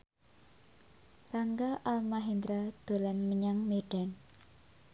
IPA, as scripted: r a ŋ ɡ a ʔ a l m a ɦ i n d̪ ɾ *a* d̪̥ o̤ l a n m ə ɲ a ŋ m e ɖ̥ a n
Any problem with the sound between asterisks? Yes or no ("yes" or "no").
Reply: no